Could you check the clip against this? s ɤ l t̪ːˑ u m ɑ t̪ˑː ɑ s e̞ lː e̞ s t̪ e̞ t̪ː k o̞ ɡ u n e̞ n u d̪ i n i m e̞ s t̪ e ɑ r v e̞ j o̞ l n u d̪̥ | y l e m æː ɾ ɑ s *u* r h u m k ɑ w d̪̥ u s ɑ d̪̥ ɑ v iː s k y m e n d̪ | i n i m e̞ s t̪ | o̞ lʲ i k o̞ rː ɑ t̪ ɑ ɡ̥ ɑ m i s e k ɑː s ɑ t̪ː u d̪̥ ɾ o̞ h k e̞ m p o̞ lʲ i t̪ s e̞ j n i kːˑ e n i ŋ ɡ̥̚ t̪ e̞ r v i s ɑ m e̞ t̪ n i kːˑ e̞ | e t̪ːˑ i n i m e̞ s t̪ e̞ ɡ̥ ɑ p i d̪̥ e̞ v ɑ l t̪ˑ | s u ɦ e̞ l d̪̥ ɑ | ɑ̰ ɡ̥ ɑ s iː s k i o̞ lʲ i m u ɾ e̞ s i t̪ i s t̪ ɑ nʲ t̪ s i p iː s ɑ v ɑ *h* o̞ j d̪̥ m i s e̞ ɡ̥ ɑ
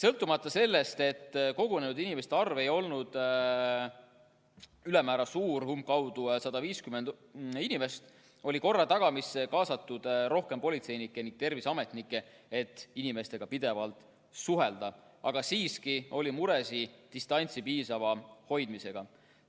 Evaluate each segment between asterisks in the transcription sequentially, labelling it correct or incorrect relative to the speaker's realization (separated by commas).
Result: incorrect, correct